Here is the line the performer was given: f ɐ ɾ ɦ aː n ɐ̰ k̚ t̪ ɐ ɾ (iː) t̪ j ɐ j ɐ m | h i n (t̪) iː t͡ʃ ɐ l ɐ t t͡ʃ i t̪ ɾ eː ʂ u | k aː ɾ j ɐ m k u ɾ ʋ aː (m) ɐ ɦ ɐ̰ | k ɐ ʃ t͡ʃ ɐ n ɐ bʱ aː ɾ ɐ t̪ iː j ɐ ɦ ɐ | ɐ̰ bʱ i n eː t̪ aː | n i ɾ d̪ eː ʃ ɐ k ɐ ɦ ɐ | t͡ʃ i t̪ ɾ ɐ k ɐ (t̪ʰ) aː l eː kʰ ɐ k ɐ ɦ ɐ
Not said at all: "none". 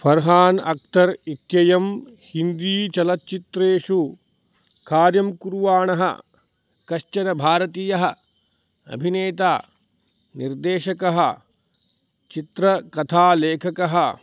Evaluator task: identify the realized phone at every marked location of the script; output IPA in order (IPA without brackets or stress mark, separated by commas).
i, d̪, ɳ, t̪ʰ